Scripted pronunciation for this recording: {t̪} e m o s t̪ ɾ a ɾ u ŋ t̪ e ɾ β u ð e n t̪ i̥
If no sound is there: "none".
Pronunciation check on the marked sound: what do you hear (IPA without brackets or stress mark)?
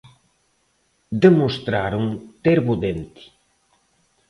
d̪